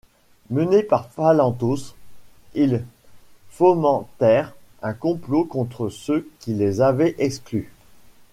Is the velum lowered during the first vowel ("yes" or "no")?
no